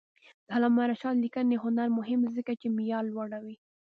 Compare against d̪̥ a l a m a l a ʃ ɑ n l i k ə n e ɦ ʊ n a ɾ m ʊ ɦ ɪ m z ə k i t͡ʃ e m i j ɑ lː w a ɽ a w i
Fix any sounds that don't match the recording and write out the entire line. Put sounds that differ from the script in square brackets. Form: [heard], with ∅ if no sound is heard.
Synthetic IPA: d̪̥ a l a m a [ɾ] a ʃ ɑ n l i k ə n e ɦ ʊ n a ɾ m ʊ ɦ ɪ m z ə k [a] t͡ʃ e m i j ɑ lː w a ɽ a w i